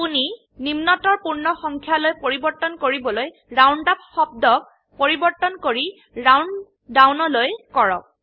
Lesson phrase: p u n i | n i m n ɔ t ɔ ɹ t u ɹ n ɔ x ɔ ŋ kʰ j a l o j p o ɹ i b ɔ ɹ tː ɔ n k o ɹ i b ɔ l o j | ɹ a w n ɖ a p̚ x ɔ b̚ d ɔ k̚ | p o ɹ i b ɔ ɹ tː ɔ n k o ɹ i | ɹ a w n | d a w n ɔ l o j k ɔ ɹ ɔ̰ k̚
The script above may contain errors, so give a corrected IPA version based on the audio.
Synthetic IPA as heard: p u n i | n i m n ɔ t ɔ ɹ p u ɹ n ɔ x ɔ ŋ kʰ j a l o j p o ɹ i b ɔ ɹ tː ɔ n k o ɹ i b ɔ l o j | ɹ a w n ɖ a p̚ x ɔ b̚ d ɔ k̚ | p o ɹ i b ɔ ɹ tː ɔ n k o ɹ i | ɹ a w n | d a w n ɔ l o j k ɔ ɹ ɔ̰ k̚